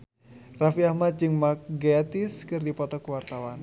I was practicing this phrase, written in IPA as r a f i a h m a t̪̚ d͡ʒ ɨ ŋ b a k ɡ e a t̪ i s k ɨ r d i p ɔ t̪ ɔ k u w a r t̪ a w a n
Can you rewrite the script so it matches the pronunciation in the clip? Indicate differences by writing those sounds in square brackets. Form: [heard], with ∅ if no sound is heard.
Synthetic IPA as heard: r a f i a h m a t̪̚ d͡ʒ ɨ ŋ [m] a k ɡ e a t̪ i s k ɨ r d i p ɔ t̪ ɔ k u w a r t̪ a w a n